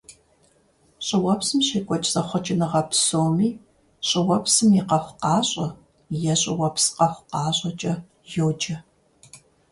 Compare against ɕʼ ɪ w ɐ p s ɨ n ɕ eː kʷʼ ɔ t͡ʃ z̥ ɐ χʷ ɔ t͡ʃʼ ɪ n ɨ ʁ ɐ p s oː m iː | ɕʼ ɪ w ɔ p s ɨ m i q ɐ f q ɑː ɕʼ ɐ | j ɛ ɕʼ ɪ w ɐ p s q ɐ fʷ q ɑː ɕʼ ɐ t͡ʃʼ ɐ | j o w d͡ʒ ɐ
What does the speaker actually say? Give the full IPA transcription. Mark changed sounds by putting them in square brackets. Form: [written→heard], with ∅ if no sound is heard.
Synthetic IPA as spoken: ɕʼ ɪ w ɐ p s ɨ [n→m] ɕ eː kʷʼ ɔ [t͡ʃ→t͡ʃʼ] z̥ ɐ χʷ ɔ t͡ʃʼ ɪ n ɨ ʁ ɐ p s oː m iː | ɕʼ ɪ w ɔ p s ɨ m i q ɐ f q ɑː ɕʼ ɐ | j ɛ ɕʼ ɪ w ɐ p s q ɐ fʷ q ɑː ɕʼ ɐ t͡ʃʼ ɐ | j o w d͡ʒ ɐ